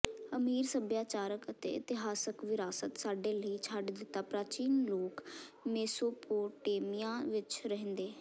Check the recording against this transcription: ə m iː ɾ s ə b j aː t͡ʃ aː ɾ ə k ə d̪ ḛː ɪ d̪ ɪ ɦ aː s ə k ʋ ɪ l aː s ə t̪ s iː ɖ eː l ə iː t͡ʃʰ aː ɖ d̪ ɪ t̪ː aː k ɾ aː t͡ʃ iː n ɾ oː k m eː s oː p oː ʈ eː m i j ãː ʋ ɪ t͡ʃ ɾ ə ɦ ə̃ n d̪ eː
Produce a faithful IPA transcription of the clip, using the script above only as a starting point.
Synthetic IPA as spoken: ə m iː ɾ s ə b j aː t͡ʃ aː ɾ ə k ə t̪ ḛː ɪ t̪ ɪ ɦ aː s ə k ʋ ɪ ɾ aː s ə t̪ s aː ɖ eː l ə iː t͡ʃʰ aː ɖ d̪ ɪ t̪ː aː p ɾ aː t͡ʃ iː n l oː k m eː s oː p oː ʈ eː m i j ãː ʋ ɪ t͡ʃ ɾ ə ɦ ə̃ n d̪ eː